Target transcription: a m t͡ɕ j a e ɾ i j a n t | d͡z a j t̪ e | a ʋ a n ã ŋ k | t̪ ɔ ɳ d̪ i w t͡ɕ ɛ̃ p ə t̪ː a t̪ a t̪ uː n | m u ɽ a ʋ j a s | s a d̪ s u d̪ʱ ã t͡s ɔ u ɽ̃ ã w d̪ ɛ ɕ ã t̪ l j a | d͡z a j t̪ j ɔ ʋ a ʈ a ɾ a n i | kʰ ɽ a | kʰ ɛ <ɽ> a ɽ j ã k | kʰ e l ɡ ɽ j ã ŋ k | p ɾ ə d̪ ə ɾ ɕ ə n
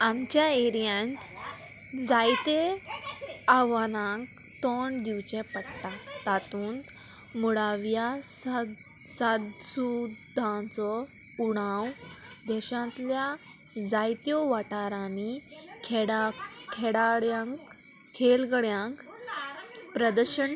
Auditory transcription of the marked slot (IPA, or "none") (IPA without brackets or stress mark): ɽ